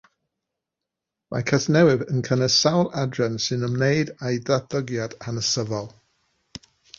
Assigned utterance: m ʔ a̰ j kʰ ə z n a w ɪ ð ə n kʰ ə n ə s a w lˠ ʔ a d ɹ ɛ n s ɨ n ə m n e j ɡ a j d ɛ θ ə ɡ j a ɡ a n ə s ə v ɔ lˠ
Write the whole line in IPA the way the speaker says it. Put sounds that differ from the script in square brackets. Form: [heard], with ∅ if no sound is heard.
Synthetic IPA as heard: m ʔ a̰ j kʰ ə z n [ɛ] w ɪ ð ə n kʰ ə n ə s a w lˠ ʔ a d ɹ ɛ n s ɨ n ə m n e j [d] a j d [a] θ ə ɡ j a [d] a n ə s ə v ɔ lˠ